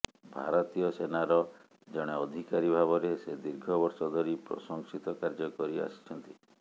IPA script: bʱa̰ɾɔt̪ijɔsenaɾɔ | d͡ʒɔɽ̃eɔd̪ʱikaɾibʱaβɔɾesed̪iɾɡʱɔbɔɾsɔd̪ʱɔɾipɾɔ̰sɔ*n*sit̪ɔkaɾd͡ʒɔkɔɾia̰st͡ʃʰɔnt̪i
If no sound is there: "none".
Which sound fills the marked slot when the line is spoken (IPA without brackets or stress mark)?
ŋ